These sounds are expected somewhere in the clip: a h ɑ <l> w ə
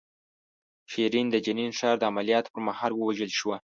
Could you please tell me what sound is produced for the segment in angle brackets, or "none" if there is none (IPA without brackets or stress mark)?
l